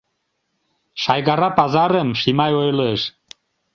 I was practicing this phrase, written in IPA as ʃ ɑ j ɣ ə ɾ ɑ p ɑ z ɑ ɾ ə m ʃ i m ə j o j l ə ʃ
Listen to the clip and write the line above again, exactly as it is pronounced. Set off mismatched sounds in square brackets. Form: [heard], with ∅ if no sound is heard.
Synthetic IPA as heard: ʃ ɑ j ɣ [ɑ] ɾ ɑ p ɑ z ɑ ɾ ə m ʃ i m [ɑ] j o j l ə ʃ